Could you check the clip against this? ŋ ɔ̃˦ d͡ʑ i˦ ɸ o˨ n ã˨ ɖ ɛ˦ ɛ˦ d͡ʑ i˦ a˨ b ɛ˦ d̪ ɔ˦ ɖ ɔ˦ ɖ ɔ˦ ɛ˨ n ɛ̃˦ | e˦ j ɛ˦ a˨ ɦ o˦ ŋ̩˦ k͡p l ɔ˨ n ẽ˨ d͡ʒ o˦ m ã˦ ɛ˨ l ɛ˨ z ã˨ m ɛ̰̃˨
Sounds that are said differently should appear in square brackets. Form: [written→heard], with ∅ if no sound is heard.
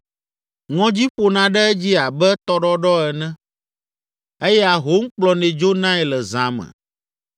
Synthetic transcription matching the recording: ŋ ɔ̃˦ d͡ʑ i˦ ɸ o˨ n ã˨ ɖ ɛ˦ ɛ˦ d͡ʑ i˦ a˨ b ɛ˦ [d̪→t̪] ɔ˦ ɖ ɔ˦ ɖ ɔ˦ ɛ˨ n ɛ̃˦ | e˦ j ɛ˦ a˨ ɦ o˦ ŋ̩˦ k͡p l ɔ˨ n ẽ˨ d͡ʒ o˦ [m→n] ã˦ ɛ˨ l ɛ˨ z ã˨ m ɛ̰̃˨